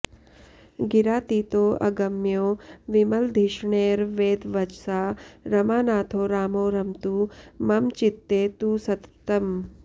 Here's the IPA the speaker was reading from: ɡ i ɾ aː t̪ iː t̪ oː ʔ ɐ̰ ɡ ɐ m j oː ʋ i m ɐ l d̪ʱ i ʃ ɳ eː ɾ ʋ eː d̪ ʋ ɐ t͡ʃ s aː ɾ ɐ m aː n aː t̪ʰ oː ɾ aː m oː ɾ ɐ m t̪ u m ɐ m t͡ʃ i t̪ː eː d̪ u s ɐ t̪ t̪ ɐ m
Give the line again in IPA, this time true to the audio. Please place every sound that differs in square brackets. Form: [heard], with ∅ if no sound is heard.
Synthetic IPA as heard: ɡ i ɾ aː t̪ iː t̪ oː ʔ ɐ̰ ɡ ɐ m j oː ʋ i m ɐ l d̪ʱ i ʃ ɳ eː ɾ ʋ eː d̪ ʋ ɐ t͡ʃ s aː ɾ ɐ m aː n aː t̪ʰ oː ɾ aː m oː ɾ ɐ m t̪ u m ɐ m t͡ʃ i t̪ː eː [t̪] u s ɐ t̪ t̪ ɐ m

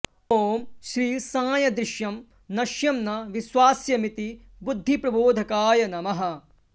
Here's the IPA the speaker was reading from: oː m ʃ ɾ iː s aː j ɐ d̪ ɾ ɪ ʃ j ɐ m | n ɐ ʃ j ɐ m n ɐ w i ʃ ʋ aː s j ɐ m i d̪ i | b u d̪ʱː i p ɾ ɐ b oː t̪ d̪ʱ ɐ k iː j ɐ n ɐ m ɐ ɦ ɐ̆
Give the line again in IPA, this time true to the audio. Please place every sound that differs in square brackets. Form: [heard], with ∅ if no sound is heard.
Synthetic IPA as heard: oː m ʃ ɾ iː s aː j ɐ d̪ ɾ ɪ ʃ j ɐ m | n ɐ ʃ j ɐ m n ɐ [ʋ] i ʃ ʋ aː s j ɐ m i [t̪] i | b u d̪ʱː i p ɾ ɐ b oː [∅] d̪ʱ ɐ k [aː] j ɐ n ɐ m ɐ ɦ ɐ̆

